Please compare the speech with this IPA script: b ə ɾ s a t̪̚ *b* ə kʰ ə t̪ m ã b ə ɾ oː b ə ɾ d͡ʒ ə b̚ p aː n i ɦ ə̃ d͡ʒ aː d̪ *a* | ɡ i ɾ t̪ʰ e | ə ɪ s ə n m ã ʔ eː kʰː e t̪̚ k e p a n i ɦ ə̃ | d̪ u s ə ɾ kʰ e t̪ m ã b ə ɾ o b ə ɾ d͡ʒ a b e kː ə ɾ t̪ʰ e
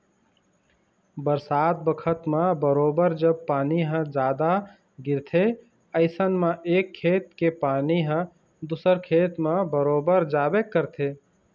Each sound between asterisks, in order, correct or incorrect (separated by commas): correct, correct